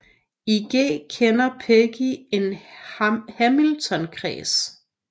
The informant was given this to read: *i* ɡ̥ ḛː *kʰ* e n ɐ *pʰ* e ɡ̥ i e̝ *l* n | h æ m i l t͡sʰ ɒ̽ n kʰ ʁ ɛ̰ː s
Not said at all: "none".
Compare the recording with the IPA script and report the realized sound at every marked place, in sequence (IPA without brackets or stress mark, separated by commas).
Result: i, kʰ, pʰ, none